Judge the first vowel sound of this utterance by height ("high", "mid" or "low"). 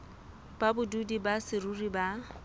low